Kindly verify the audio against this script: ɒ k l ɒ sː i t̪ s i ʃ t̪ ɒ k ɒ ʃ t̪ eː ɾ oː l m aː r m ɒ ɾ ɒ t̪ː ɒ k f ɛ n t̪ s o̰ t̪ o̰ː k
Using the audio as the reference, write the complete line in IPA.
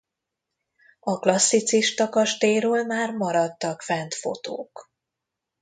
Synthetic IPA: ɒ k l ɒ sː i t̪ s i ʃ t̪ ɒ k ɒ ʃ t̪ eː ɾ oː l m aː r m ɒ ɾ ɒ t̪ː ɒ k f ɛ n t̪ f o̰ t̪ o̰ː k